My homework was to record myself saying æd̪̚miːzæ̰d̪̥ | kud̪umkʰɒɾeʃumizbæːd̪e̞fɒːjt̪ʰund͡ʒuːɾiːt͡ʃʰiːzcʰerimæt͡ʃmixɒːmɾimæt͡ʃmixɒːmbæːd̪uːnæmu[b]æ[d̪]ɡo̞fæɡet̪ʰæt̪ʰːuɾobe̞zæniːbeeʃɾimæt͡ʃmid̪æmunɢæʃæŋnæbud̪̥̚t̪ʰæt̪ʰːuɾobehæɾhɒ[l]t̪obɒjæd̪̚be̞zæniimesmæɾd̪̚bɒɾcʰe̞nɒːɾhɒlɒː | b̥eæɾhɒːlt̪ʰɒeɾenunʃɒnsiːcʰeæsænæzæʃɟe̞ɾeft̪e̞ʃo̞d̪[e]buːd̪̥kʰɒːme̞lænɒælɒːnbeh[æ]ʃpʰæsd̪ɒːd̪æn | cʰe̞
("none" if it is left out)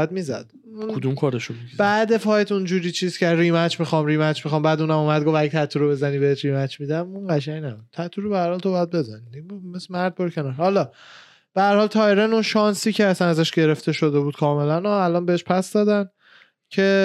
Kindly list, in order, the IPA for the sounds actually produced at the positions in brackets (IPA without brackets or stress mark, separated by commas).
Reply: m, d̪, l, e, e